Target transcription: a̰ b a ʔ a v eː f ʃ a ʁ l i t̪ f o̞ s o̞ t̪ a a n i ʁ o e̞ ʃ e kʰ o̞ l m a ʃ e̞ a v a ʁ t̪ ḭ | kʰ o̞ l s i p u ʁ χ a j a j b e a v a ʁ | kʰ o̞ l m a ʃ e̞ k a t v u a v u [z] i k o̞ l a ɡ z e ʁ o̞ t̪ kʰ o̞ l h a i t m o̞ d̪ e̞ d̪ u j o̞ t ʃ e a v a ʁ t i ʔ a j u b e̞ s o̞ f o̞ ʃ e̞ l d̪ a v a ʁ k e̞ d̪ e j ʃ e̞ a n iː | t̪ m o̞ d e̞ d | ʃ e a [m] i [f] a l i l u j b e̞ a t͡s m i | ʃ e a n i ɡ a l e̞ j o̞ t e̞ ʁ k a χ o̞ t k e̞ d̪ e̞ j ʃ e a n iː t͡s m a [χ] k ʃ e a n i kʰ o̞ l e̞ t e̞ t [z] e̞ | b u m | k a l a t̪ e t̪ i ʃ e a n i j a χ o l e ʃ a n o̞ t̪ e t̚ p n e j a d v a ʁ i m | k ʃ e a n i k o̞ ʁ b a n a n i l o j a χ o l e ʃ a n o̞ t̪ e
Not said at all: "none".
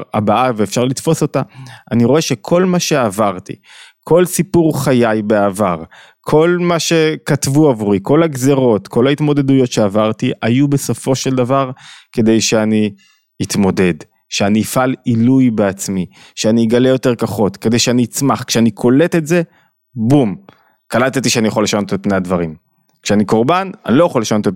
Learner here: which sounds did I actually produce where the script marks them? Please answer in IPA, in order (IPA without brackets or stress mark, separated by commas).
ʁ, n, f, χ, z